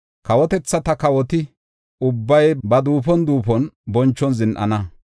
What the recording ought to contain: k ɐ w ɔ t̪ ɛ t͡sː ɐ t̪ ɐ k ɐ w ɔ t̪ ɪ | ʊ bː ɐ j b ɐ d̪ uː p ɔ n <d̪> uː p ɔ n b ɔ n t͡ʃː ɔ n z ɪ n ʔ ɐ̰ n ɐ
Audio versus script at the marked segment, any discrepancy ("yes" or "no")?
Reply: no